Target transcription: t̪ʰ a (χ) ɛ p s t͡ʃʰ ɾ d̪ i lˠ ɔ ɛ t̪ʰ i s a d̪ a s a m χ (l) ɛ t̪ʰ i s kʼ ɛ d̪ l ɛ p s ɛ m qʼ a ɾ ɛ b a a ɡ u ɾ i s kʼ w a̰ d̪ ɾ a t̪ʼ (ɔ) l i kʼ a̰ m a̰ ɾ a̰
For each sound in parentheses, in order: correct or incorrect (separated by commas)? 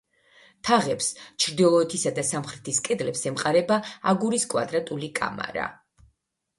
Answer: incorrect, incorrect, incorrect